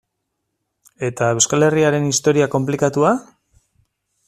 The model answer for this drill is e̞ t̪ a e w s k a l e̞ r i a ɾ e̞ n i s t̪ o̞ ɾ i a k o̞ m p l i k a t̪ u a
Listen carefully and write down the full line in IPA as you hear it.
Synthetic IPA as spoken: e̞ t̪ a e w s k a l e̞ r i a ɾ e̞ n i s t̪ o̞ ɾ i a k o̞ m p l i k a t̪ u a